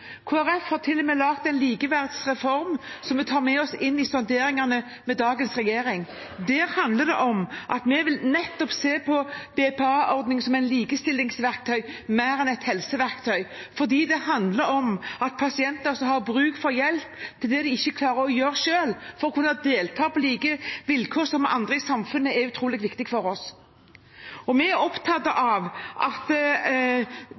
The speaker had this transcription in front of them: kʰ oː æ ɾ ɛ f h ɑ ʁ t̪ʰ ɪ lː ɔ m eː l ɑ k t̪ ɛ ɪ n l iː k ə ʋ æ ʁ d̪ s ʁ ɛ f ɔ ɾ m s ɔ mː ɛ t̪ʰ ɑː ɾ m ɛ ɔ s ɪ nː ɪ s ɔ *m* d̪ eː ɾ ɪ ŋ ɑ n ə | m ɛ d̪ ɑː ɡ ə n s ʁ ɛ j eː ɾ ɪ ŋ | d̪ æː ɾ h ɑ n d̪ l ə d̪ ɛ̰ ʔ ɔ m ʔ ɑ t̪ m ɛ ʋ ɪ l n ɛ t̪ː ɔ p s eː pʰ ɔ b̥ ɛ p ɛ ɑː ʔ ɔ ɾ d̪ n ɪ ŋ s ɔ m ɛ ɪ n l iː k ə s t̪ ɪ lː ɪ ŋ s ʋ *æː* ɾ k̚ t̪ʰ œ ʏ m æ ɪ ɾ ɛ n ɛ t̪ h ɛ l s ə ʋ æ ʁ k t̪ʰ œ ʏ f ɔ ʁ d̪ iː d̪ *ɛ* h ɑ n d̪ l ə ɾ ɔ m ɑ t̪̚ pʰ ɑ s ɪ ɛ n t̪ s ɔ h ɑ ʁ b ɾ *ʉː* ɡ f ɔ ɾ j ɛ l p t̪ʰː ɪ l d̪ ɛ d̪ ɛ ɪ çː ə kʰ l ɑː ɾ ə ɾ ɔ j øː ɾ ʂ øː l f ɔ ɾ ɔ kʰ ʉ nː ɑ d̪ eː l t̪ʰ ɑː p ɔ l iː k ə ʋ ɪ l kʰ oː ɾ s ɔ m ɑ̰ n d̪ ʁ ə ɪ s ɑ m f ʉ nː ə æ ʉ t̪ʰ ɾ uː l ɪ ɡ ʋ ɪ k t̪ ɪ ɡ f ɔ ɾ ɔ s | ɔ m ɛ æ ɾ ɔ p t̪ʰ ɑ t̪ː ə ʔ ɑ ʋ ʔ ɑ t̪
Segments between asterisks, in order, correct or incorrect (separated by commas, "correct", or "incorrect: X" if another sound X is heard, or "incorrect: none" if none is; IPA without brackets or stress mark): incorrect: n, incorrect: æ, correct, correct